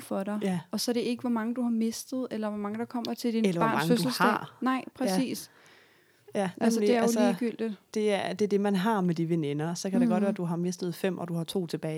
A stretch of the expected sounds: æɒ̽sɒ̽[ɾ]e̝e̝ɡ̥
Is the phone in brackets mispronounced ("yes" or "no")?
no